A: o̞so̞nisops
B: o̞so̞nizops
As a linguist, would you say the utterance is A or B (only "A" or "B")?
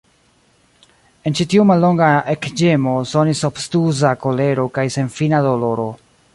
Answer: A